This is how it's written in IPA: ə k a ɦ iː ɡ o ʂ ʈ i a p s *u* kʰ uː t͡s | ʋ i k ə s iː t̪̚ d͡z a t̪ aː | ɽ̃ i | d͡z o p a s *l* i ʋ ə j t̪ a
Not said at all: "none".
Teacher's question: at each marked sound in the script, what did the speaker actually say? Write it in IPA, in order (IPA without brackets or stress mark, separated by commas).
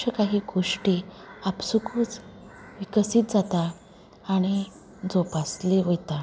u, l